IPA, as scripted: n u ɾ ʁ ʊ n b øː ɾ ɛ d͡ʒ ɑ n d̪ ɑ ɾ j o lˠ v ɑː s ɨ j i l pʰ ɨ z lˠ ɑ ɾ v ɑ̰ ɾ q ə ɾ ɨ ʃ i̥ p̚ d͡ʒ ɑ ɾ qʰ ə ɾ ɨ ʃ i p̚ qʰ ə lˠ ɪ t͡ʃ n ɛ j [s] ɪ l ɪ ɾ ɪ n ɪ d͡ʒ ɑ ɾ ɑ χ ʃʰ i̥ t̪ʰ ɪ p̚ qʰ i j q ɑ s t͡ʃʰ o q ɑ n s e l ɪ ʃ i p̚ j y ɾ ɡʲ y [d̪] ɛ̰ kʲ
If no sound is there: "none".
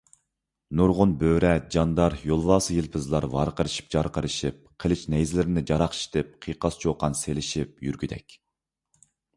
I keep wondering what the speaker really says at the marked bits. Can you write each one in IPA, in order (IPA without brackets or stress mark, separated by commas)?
z, d̪